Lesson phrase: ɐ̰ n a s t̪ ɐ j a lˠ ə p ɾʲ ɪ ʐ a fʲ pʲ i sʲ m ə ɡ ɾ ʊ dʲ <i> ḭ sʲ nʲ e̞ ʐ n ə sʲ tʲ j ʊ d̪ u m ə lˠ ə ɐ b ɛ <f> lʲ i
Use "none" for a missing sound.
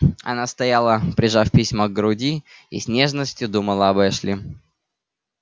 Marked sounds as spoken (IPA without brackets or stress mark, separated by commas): i, ʂ